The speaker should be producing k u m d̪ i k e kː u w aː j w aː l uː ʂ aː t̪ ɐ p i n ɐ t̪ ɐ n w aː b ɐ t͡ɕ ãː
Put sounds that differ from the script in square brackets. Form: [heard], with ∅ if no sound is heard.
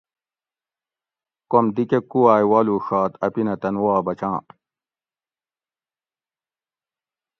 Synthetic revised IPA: k [o] m d̪ i k e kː u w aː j w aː l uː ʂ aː t̪ ɐ p i n ɐ t̪ ɐ n w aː b ɐ t͡ɕ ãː